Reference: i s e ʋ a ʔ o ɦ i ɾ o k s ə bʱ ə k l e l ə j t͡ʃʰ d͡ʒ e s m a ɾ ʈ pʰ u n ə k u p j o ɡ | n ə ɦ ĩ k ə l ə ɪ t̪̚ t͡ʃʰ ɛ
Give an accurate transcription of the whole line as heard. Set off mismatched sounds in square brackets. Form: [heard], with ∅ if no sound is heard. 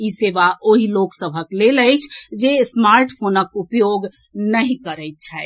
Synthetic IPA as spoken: i s e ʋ a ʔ o ɦ i [l] o k s ə bʱ ə k l e l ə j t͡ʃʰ d͡ʒ e s m a ɾ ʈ pʰ [o] n ə k u p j o ɡ | n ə ɦ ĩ k ə [ɾ] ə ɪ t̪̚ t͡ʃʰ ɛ

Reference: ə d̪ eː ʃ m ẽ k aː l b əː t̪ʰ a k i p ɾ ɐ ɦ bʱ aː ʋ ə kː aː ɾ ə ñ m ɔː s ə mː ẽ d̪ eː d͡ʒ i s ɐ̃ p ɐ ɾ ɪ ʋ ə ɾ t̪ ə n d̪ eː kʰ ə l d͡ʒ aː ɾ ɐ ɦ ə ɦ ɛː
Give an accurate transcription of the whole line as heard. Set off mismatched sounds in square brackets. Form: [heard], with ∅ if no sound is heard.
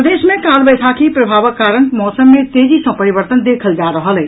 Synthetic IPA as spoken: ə d̪ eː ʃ m ẽ k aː l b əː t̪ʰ a k i p ɾ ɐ [∅] bʱ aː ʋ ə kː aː ɾ ə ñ m ɔː s ə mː ẽ [t̪] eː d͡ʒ i s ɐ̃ p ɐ ɾ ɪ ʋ ə ɾ t̪ ə n d̪ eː kʰ ə l d͡ʒ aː ɾ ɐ ɦ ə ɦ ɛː

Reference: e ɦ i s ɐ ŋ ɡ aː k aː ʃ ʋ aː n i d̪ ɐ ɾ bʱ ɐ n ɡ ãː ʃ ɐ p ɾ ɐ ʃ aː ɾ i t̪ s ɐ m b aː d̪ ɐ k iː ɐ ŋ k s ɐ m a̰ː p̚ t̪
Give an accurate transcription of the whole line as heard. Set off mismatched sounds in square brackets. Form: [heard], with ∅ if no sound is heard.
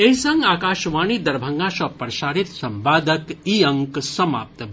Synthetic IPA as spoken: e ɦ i s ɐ ŋ ɡ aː k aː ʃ ʋ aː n i d̪ ɐ ɾ bʱ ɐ [ŋ] ɡ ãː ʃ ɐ p ɾ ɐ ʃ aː ɾ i t̪ s ɐ m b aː d̪ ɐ k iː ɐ ŋ k s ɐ m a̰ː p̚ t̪

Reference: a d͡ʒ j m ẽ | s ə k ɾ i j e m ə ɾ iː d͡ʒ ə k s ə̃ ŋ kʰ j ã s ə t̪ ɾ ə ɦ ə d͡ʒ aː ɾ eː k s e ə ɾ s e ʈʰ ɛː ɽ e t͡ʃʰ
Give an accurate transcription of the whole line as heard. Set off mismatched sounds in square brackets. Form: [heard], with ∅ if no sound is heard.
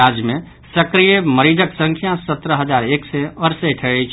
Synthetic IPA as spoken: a d͡ʒ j m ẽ | s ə k ɾ i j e m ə ɾ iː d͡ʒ ə k s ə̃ ŋ kʰ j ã s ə t̪ ɾ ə ɦ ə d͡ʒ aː ɾ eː k s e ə ɾ s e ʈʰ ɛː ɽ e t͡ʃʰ

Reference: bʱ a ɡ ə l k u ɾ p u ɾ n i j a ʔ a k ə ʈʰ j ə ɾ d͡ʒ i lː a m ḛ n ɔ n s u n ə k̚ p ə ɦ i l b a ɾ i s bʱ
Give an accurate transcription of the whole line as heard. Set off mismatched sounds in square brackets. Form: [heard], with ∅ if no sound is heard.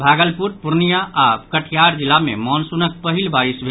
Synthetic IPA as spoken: bʱ a ɡ ə l [p] u ɾ p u ɾ n i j a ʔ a k ə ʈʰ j [a] ɾ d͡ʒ i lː a m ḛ [m] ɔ n s u n ə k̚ p ə ɦ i l b a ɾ i s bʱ

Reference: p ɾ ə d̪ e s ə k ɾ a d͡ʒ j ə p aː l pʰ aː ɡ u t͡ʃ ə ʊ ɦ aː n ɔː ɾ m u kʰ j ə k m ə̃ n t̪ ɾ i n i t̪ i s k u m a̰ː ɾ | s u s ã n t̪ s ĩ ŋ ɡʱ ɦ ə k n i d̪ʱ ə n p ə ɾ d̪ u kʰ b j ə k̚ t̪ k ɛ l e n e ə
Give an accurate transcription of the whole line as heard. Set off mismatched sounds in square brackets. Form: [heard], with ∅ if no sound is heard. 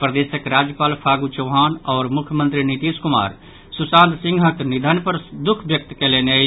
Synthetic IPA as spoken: p ɾ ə d̪ e s ə k ɾ a d͡ʒ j ə p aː l pʰ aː ɡ u t͡ʃ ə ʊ ɦ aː n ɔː ɾ m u kʰ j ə [∅] m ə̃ n t̪ ɾ i n i t̪ i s k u m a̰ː ɾ | s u s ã n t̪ s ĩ ŋ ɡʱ ɦ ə k n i d̪ʱ ə n p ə ɾ d̪ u kʰ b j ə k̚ t̪ k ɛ l e n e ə

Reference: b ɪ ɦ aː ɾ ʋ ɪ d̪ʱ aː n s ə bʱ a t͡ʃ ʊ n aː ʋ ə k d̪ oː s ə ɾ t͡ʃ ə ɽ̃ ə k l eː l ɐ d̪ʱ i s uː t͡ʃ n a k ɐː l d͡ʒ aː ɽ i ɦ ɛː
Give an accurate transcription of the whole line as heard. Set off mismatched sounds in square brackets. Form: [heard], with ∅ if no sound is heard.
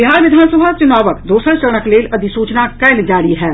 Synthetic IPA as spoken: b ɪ ɦ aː ɾ ʋ ɪ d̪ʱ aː n s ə bʱ a t͡ʃ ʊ n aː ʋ ə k d̪ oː s ə ɾ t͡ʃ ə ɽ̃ ə k l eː l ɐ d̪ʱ i s uː t͡ʃ n a k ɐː l d͡ʒ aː ɽ i ɦ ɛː

